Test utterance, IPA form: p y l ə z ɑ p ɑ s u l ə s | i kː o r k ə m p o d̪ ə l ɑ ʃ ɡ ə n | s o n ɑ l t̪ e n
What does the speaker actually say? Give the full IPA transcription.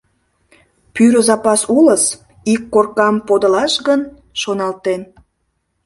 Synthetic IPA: p y ɾ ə z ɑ p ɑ s u l ə s | i kː o r k ɑ m p o d̪ ə l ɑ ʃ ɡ ə n | ʃ o n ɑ l t̪ e n